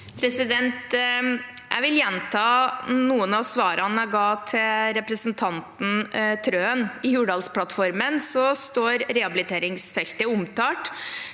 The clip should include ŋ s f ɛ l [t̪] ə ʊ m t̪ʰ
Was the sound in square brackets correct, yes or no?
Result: yes